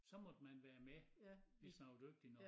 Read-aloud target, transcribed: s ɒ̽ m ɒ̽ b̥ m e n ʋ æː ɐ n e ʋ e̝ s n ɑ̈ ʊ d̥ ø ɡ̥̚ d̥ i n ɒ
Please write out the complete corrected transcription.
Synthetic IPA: s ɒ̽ m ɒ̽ d̥ m æ n ʋ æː ɐ m e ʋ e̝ s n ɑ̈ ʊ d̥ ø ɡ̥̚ d̥ i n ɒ